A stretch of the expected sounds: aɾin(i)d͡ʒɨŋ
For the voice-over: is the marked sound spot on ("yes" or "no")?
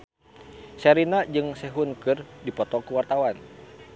no